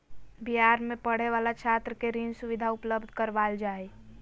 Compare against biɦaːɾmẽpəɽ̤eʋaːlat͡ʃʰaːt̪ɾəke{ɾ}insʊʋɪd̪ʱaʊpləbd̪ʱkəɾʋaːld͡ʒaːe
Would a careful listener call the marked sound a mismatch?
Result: no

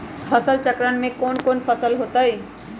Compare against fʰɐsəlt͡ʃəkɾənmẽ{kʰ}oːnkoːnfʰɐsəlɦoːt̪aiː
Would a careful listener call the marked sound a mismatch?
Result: yes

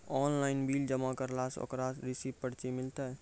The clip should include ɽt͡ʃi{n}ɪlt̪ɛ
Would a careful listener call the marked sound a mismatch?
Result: yes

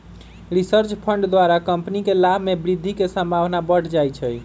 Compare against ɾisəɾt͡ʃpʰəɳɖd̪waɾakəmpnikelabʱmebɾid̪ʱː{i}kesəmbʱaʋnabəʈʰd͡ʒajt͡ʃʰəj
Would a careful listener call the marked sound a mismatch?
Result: no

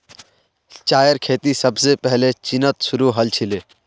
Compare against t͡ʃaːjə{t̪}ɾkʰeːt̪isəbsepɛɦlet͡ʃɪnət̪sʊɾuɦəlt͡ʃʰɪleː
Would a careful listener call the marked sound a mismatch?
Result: yes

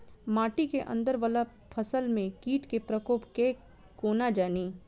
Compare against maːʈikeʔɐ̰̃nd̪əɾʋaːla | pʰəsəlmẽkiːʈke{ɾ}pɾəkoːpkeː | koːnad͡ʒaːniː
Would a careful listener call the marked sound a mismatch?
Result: yes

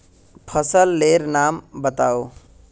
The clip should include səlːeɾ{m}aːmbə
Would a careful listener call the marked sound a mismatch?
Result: yes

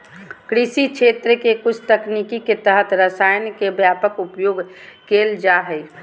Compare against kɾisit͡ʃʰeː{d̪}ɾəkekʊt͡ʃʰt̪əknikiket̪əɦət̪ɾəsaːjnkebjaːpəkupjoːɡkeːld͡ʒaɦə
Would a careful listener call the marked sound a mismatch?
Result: yes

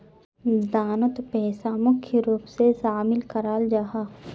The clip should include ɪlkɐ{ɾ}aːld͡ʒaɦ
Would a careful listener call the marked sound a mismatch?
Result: no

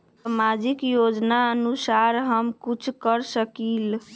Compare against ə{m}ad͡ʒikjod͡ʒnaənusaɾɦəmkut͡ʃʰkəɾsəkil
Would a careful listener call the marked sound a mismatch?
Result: no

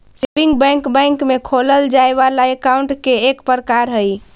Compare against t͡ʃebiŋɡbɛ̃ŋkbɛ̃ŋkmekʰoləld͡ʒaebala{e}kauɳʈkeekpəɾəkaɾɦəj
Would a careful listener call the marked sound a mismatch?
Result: no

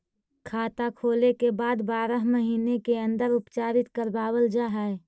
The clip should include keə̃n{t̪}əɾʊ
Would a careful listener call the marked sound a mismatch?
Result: yes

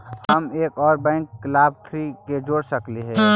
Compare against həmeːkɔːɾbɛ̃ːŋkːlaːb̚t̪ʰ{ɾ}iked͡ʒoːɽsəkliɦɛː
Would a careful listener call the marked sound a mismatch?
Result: no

